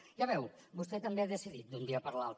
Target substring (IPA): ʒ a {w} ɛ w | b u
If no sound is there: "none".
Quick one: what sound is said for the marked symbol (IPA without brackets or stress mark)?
β